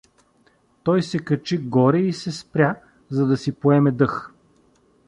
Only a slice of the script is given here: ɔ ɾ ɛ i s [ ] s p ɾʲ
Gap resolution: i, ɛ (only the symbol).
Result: ɛ